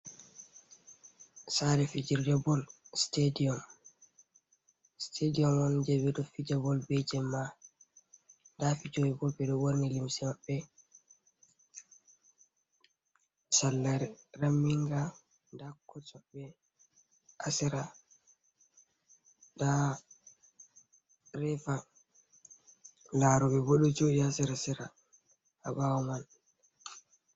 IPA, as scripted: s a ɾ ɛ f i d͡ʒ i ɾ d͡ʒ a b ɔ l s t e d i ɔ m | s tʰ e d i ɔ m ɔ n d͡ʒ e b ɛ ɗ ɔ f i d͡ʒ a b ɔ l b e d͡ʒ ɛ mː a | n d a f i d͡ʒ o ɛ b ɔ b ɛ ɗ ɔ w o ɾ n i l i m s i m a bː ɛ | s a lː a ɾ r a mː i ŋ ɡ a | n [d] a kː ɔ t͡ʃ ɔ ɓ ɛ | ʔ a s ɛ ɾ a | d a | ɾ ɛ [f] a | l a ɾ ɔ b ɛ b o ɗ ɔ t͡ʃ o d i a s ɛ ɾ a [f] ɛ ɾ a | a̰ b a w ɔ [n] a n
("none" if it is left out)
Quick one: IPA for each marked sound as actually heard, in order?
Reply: d, f, s, m

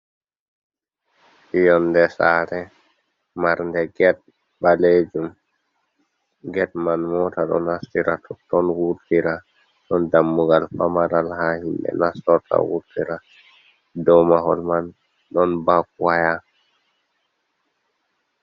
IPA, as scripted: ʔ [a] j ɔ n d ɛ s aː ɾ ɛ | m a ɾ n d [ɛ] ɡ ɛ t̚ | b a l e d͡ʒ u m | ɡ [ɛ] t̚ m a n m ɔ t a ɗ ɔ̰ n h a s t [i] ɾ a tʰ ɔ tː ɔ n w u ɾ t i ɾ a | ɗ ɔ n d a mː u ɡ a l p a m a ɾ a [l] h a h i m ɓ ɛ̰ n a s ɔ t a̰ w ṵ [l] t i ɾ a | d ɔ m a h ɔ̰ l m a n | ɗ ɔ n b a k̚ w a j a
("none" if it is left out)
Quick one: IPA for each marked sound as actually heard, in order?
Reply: i, ɛ, ɛ, i, l, ɾ

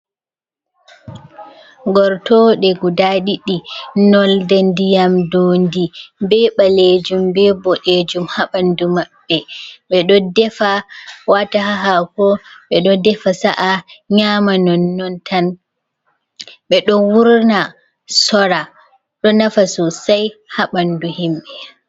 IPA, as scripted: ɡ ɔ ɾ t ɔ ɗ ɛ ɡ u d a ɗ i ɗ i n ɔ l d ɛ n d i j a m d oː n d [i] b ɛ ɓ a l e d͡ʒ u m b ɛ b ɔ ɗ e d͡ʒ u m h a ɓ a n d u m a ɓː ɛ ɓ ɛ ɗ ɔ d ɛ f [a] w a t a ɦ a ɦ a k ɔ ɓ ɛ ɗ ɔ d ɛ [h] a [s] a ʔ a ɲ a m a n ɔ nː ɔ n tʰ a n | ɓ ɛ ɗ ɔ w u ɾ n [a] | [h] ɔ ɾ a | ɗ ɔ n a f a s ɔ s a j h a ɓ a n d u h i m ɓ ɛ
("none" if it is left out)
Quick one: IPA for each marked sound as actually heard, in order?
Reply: i, a, f, s, a, s

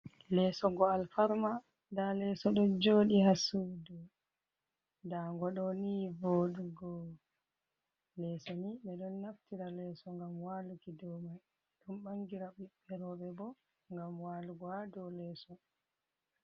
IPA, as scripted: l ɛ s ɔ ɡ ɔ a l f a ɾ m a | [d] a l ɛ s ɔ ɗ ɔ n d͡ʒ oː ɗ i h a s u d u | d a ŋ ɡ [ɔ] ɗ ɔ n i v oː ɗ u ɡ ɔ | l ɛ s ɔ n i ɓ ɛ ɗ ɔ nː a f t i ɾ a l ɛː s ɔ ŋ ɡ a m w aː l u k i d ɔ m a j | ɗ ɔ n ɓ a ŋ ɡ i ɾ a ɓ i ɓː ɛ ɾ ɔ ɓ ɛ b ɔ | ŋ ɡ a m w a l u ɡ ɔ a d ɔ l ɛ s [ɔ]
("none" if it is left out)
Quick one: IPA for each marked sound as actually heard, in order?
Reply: d, ɔ, ɔ

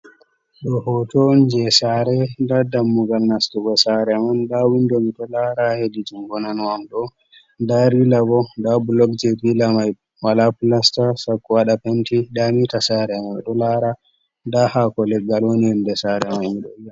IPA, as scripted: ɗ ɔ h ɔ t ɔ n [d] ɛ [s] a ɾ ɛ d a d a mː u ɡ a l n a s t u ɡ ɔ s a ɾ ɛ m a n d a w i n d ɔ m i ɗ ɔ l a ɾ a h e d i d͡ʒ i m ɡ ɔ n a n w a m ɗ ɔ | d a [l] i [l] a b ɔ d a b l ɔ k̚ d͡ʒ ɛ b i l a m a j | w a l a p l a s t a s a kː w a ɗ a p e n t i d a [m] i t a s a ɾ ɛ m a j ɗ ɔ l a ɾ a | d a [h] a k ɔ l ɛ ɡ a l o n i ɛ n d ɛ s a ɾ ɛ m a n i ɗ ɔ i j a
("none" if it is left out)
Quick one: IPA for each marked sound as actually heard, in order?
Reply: d͡ʒ, s, ɾ, l, m, h

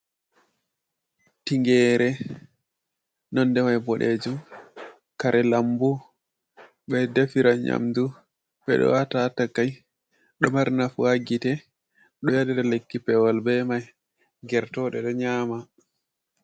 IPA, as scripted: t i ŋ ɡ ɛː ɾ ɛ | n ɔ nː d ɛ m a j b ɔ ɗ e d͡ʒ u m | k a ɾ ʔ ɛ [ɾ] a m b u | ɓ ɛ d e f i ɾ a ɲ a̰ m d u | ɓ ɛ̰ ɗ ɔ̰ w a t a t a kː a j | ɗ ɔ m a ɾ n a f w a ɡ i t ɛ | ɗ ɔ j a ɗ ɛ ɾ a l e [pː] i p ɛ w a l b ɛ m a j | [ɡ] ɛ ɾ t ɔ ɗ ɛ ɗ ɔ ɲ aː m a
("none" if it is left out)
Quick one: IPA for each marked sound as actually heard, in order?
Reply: l, kː, ɡ

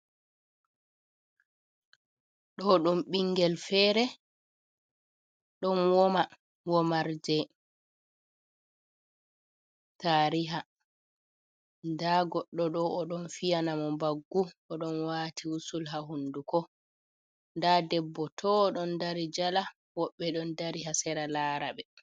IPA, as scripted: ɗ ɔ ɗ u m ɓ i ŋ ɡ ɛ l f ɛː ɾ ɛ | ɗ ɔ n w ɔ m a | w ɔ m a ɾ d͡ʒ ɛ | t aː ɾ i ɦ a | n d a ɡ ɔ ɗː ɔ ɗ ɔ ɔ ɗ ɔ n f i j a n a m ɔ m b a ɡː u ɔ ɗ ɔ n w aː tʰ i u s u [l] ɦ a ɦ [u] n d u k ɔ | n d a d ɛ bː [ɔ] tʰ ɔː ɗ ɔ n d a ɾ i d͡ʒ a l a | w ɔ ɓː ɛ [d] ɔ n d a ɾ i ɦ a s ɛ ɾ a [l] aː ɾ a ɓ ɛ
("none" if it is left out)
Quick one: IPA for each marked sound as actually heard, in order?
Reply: l, u, ɔ, ɗ, l

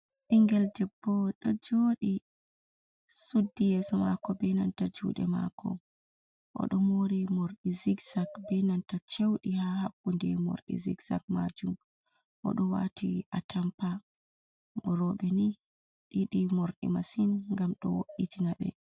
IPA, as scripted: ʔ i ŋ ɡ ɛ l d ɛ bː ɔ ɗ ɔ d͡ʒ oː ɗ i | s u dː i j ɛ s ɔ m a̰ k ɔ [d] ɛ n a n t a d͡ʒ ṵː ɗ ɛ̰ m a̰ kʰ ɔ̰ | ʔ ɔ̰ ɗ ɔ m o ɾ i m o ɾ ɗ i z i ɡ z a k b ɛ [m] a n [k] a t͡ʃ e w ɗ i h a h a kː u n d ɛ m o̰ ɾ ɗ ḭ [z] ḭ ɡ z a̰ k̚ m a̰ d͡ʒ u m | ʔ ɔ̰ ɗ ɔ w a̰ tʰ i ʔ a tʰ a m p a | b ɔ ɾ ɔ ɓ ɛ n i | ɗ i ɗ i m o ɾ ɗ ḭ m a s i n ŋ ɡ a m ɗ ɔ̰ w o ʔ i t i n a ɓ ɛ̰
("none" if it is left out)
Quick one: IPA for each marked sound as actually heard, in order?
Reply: b, n, t, z

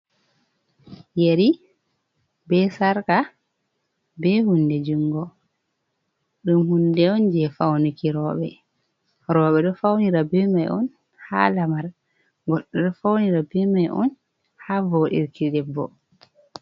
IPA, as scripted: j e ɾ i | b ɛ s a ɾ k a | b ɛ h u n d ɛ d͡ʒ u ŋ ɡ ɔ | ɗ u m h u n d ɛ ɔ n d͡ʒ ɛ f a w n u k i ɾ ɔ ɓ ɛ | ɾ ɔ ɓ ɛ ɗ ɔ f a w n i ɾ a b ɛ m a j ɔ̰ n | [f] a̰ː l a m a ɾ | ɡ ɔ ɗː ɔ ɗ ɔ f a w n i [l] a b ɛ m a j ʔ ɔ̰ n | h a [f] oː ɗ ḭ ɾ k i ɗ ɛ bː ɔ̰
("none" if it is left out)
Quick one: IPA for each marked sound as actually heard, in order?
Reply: h, ɾ, v

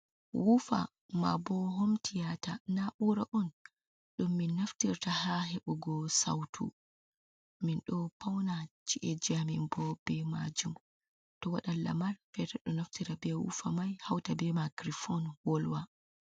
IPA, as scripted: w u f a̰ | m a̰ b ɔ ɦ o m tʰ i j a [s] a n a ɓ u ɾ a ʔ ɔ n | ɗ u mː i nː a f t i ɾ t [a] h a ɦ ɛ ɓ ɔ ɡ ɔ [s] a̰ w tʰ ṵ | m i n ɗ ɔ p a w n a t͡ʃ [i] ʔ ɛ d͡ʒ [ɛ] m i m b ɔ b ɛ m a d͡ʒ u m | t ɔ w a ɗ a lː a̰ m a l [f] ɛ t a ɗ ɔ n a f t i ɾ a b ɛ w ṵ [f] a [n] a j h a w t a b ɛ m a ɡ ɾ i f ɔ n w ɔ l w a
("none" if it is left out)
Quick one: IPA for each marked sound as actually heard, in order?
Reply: t, a, s, i, a, f, f, m

